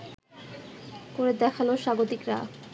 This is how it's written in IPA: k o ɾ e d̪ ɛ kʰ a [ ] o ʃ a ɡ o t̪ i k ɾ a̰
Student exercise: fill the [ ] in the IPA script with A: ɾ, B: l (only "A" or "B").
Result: B